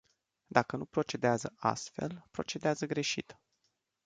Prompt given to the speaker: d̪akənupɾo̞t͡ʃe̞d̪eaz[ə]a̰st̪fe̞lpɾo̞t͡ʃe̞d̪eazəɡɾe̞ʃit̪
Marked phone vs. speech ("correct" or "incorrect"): correct